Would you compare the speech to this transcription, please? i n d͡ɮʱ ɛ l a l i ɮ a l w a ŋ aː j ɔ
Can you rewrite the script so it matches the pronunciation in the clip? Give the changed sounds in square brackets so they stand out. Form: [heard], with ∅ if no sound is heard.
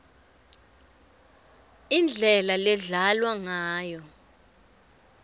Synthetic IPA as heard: i n d͡ɮʱ ɛ l a l [ɛ] ɮ a l w a ŋ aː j ɔ